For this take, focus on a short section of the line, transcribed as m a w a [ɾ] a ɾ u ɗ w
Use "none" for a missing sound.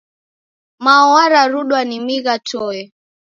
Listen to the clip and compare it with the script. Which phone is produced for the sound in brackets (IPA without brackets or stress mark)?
ɾ